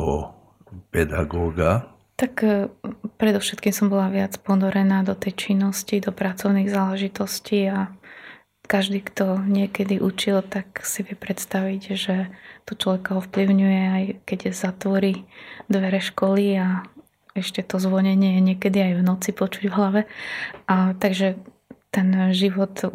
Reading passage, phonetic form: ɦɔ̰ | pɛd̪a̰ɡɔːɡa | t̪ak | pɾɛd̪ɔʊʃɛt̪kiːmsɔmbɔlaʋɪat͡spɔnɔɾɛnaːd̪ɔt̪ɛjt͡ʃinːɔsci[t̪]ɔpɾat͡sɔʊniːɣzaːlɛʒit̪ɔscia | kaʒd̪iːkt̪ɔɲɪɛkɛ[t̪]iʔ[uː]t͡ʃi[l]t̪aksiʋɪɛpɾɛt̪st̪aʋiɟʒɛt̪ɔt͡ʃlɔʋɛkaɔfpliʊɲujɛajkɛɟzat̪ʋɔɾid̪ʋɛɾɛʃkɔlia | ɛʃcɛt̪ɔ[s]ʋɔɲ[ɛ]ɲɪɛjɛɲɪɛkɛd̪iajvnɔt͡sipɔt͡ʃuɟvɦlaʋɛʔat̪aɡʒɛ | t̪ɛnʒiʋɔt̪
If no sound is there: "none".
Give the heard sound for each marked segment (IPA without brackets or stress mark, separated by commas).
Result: d̪, d̪, u, l, z, ɛ